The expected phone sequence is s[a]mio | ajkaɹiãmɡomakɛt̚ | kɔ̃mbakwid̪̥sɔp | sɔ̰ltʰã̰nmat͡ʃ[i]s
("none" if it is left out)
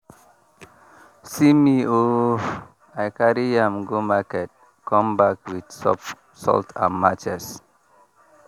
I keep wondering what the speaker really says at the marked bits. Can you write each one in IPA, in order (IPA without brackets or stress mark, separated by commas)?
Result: i, ɛ